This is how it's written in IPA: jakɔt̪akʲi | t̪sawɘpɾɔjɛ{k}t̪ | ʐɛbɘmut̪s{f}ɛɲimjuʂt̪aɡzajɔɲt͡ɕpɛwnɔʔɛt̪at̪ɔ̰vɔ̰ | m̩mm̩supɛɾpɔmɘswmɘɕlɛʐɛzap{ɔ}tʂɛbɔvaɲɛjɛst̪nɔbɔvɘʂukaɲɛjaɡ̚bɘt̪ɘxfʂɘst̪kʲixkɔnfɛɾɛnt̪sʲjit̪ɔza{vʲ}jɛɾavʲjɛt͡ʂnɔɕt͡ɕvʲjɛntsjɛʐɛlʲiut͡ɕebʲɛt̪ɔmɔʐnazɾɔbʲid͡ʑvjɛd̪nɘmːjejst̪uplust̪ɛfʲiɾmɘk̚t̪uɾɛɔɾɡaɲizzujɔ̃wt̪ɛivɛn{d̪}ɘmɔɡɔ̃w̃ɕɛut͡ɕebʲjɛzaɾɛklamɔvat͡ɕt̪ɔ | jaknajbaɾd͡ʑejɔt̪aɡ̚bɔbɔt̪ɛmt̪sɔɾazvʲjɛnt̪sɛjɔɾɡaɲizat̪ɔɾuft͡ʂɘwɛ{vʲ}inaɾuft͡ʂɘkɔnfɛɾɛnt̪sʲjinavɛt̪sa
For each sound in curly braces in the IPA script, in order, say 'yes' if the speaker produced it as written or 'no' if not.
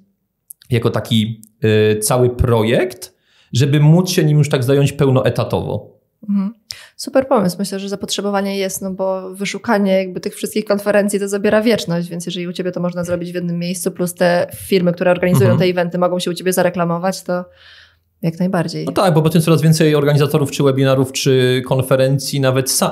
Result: yes, no, yes, no, no, no

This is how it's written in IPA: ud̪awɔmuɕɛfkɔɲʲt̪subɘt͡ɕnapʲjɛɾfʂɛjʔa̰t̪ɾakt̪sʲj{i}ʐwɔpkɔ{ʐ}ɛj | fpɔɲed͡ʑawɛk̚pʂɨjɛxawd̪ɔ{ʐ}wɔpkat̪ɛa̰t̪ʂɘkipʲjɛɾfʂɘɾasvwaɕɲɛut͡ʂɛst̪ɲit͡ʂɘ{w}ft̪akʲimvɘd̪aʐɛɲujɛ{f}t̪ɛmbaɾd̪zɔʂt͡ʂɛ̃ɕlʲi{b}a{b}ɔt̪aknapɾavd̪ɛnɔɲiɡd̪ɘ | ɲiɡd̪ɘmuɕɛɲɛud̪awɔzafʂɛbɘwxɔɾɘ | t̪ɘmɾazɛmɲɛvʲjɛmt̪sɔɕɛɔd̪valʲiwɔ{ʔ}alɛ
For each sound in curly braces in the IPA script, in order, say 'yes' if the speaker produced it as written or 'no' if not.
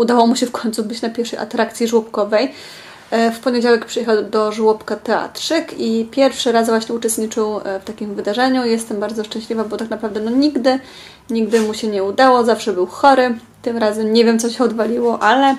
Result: yes, no, yes, yes, no, no, yes, yes

